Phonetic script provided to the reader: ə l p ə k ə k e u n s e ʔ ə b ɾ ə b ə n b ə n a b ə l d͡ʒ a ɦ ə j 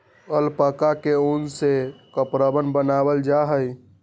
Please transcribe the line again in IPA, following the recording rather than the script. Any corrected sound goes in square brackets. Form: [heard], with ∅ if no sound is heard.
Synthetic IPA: ə l p ə k [a] k e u n s e [k] ə [p] ɾ ə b ə n b ə n a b ə l d͡ʒ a ɦ ə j